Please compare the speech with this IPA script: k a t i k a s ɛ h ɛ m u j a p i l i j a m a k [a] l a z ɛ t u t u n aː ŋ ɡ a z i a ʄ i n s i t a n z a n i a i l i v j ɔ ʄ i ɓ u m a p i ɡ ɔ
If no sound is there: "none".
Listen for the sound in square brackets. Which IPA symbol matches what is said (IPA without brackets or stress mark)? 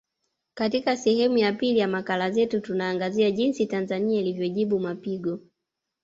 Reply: a